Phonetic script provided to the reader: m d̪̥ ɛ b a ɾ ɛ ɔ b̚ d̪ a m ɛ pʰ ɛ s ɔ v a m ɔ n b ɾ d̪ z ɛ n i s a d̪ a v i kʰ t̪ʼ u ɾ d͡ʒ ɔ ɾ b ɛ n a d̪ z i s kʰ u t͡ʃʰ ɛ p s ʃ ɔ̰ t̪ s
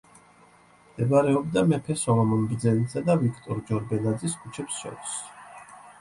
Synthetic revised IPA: m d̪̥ ɛ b a ɾ ɛ ɔ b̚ d̪ a m ɛ pʰ ɛ s ɔ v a m ɔ n b ɾ d̪ z ɛ n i s a d̪ a v i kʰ t̪ʼ ɔ ɾ d͡ʒ ɔ ɾ b ɛ n a d̪ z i s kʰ u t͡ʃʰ ɛ p s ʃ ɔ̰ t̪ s